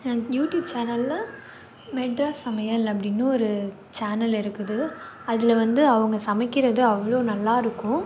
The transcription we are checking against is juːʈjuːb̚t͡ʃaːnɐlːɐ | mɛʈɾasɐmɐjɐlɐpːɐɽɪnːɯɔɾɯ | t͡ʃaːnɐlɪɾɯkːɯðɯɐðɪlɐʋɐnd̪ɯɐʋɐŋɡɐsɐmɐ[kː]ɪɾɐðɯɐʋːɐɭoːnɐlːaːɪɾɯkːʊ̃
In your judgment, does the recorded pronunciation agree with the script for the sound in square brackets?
yes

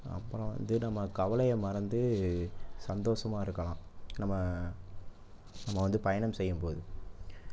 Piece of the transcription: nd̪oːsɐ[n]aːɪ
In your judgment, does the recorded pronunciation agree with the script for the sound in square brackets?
no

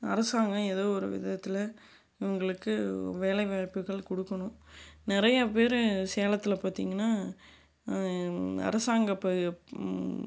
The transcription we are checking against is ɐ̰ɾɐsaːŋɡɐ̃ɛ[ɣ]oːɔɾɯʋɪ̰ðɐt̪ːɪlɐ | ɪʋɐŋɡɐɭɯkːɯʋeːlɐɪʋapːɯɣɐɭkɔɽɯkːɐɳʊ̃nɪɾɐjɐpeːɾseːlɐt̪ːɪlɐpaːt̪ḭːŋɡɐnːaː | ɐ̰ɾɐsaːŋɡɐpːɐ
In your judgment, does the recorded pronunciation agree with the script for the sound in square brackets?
no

